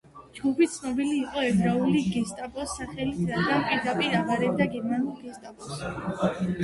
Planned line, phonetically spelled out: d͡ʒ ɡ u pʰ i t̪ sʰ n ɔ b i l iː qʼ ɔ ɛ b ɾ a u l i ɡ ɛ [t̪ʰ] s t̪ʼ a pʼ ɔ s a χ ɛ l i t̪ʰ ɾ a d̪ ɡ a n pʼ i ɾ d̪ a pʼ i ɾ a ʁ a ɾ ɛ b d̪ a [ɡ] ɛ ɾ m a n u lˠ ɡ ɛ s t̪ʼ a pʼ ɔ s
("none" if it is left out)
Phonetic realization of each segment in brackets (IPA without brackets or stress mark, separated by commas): none, ɡ